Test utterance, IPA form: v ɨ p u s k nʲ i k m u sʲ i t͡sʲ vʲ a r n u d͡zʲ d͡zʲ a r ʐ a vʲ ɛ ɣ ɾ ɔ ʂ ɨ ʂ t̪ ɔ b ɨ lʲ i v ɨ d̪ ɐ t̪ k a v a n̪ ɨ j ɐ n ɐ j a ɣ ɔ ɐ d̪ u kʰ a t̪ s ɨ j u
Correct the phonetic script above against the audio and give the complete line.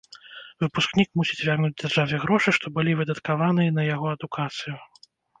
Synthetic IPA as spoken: v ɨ p u s k nʲ i k m u sʲ i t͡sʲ vʲ a r n u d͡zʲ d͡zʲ a r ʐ a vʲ ɛ ɣ ɾ ɔ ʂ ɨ ʂ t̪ ɔ b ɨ lʲ i v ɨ d̪ ɐ t̪ k a v a n̪ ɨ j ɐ n ɐ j a ɣ ɔ ɐ d̪ u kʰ a t̪ s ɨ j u

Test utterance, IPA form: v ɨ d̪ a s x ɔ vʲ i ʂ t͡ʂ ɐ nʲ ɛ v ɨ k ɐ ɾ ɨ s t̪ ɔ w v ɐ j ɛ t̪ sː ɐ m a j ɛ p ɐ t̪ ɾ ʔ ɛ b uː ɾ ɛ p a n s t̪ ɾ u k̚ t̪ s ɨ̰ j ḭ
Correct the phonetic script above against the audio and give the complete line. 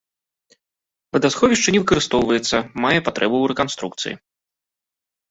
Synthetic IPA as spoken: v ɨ d̪ a s x ɔ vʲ i ʂ t͡ʂ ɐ nʲ ɛ v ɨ k ɐ ɾ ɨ s t̪ ɔ w v ɐ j ɛ t̪ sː ɐ m a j ɛ p a t̪ ɾ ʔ ɛ b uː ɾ ɛ k a n s t̪ ɾ u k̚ t̪ s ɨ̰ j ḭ

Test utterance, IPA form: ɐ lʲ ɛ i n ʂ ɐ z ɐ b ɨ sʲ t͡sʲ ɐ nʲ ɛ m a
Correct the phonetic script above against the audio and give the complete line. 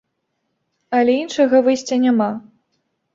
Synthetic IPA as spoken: ɐ lʲ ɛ i n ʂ ɐ ɣ ɐ v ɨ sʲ t͡sʲ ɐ nʲ a m a

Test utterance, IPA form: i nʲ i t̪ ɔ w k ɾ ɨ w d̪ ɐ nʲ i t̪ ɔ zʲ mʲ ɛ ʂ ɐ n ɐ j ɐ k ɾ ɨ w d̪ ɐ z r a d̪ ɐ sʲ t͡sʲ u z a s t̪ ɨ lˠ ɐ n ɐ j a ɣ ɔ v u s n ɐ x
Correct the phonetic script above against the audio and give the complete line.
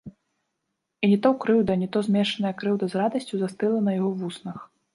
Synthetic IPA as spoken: i nʲ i t̪ ɔ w k ɾ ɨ w d̪ ɐ nʲ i t̪ ɔ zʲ mʲ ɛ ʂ ɐ n ɐ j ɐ k ɾ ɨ w d̪ ɐ z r a d̪ ɐ sʲ t͡sʲ u z a s t̪ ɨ lˠ ɐ n ɐ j a ɣ ɔ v u s n ɐ x

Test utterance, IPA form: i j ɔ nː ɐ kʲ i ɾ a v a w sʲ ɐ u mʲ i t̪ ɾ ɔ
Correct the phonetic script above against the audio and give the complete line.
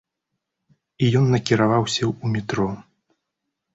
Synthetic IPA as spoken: i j ɔ nː ɐ kʲ i ɾ a v a w sʲ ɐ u mʲ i t̪ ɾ ɔ

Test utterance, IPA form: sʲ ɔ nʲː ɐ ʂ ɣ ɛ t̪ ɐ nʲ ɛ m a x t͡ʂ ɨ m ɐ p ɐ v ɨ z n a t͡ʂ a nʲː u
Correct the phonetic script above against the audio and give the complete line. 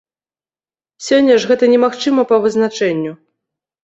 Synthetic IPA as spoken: sʲ ɔ nʲː ɐ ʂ ɣ ɛ t̪ ɐ nʲ ɛ m a x t͡ʂ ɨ m ɐ p ɐ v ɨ z n a t͡ʂ ɛ nʲː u

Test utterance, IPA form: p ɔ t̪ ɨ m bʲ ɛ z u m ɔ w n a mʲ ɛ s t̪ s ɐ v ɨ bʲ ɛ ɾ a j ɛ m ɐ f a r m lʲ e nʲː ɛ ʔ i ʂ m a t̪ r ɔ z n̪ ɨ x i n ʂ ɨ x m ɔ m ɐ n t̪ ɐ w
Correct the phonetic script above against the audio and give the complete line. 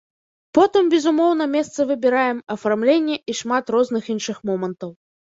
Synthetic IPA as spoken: p ɔ t̪ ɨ m bʲ ɛ z u m ɔ w n ɐ mʲ ɛ s t̪ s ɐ v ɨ bʲ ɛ ɾ a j ɛ m ɐ f a r m lʲ e nʲː ɛ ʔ i ʂ m a t̪ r ɔ z n̪ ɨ x i n ʂ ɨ x m ɔ m ɐ n t̪ ɐ w

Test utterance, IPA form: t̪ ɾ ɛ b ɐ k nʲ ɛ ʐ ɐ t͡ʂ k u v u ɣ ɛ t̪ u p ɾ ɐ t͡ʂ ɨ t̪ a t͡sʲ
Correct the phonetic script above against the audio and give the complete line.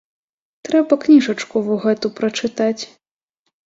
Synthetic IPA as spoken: t̪ ɾ ɛ b ɐ k nʲ i ʐ ɐ t͡ʂ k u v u ɣ ɛ t̪ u p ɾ ɐ t͡ʂ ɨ t̪ a t͡sʲ

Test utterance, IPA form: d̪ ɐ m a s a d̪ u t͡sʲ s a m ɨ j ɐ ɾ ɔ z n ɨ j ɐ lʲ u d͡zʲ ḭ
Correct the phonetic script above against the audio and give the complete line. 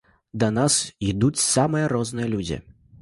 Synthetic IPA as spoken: d̪ ɐ n a s i d̪ u t͡sʲ s a m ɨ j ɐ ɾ ɔ z n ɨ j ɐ lʲ u d͡zʲ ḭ

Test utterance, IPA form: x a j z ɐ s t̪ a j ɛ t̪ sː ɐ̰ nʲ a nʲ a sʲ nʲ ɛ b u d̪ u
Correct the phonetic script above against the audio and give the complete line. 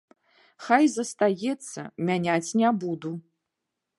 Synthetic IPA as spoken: x a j z ɐ s t̪ a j ɛ t̪ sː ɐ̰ mʲ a nʲ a t͡sʲ nʲ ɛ b u d̪ u

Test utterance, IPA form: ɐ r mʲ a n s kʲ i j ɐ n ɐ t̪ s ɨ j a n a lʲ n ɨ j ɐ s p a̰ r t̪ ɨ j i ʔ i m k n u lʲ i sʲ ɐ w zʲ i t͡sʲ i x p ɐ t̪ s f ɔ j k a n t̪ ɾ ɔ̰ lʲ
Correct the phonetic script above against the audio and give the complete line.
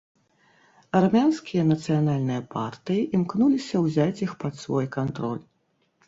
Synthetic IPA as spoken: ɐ r mʲ a n s kʲ i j ɐ n ɐ t̪ s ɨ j a n a lʲ n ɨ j ɐ p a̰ r t̪ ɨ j i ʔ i m k n u lʲ i sʲ ɐ w zʲ a t͡sʲ i x p ɐ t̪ s v ɔ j k a n t̪ ɾ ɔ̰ lʲ

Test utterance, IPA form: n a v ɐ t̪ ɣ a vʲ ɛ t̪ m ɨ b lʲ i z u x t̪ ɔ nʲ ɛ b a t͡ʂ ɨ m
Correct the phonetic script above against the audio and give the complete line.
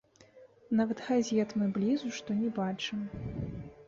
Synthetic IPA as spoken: n a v ɐ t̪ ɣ a zʲ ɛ t̪ m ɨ b lʲ i z u ʂ t̪ ɔ nʲ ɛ b a t͡ʂ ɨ m

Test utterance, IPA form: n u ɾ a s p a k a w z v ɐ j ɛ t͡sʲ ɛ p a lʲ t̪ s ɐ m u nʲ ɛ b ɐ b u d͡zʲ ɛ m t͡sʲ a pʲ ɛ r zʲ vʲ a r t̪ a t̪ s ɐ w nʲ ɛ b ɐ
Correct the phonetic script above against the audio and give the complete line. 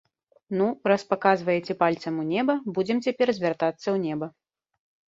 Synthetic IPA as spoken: n u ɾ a s p a k a z v ɐ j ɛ t͡sʲ ɛ p a lʲ t̪ s ɐ m u nʲ ɛ b ɐ b u d͡zʲ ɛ m t͡sʲ a pʲ ɛ r zʲ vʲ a r t̪ a t̪ sː ɐ w nʲ ɛ b ɐ

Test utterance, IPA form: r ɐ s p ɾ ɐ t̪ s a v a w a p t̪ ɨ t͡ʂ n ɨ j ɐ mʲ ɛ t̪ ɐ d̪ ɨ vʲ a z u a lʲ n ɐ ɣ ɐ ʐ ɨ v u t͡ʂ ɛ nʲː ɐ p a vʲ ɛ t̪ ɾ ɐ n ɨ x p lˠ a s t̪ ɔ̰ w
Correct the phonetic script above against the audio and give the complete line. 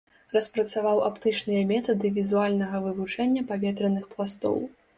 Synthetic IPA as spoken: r ɐ s p ɾ ɐ t̪ s a v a w a p t̪ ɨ t͡ʂ n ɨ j ɐ mʲ ɛ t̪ ɐ d̪ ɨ vʲ i z u a lʲ n ɐ ɣ ɐ v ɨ v u t͡ʂ ɛ nʲː ɐ p a vʲ ɛ t̪ ɾ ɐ n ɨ x p lˠ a s t̪ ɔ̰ w

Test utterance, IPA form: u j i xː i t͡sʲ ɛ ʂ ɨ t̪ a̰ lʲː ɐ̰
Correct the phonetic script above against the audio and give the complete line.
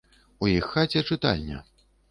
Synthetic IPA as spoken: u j i xː a t͡sʲ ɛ t͡ʂ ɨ t̪ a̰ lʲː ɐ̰

